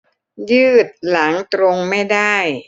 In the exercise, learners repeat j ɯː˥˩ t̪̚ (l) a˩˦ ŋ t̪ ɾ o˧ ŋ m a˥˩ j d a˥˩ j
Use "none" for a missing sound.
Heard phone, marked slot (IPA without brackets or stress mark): l